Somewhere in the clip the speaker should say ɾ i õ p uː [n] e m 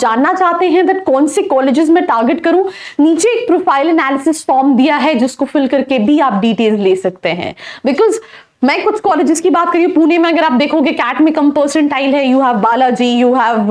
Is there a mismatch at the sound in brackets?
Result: no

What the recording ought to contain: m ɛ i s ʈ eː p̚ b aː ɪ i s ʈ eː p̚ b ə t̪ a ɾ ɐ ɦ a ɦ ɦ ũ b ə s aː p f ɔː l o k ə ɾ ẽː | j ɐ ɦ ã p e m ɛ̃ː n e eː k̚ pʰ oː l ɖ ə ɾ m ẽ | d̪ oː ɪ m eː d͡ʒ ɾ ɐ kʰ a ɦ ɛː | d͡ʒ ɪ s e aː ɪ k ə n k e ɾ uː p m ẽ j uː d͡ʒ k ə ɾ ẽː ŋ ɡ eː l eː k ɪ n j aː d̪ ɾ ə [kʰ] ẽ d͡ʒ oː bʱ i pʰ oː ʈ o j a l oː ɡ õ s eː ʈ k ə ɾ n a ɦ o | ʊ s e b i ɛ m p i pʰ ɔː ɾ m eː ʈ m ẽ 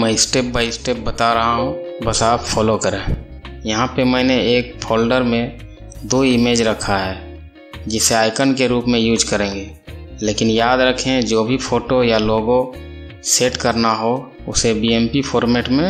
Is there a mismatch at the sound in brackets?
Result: no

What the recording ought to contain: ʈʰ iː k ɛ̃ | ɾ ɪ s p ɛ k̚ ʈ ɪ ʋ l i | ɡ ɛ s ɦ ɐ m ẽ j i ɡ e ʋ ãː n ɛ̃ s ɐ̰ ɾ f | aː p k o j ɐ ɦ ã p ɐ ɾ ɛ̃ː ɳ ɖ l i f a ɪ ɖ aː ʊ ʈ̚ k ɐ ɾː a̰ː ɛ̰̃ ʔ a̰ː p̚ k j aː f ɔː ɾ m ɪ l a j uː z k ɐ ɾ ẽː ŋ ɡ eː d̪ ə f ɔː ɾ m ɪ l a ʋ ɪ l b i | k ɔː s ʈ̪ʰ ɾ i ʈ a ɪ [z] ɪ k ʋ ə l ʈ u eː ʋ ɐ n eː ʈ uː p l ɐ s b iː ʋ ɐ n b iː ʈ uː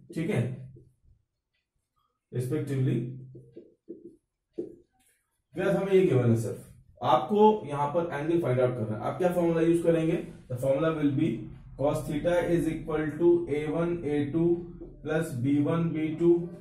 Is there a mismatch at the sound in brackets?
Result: no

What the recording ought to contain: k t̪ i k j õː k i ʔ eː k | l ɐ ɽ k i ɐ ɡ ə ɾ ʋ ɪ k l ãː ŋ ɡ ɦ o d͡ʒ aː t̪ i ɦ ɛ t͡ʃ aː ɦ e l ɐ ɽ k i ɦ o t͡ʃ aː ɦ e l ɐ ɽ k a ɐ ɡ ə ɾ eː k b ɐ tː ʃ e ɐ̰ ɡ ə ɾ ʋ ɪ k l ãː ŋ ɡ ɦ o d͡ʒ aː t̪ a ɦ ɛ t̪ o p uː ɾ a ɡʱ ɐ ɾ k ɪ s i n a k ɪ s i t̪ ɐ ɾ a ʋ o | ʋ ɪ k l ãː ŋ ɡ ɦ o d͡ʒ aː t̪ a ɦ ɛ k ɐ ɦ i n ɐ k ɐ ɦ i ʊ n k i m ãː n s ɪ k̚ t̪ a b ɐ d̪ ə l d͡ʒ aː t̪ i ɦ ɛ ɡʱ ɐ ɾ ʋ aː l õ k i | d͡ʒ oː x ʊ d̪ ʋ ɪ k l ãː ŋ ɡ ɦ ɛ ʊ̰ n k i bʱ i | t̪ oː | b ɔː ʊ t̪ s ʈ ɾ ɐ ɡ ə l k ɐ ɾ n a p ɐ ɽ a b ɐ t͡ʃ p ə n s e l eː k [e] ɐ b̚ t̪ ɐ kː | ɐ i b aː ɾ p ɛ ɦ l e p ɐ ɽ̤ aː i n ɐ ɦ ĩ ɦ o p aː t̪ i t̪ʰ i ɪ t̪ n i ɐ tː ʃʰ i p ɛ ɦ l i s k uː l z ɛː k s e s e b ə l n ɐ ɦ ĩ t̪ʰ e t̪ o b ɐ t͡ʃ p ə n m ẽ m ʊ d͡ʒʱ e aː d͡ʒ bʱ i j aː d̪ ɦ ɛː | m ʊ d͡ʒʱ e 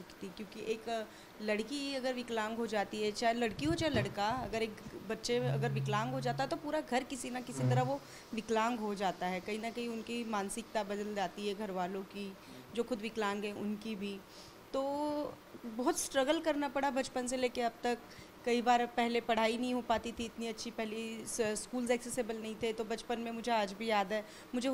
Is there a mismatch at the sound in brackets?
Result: no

